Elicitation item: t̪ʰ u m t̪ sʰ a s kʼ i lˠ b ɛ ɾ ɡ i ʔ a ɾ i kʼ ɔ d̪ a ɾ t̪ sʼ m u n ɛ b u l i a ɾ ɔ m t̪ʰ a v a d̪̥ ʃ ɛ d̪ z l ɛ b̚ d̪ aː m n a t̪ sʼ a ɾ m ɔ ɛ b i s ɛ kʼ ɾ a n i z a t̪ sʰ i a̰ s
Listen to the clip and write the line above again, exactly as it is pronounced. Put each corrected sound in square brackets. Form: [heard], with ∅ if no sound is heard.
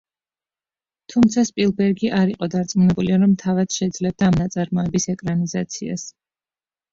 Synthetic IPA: t̪ʰ u m t̪ sʰ a s [pʼ] i lˠ b ɛ ɾ ɡ i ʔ a ɾ i [qʼ] ɔ d̪ a ɾ t̪ sʼ m u n ɛ b u l i a ɾ ɔ m t̪ʰ a v a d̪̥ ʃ ɛ d̪ z l ɛ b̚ d̪ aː m n a t̪ sʼ a ɾ m ɔ ɛ b i s ɛ kʼ ɾ a n i z a t̪ sʰ i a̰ s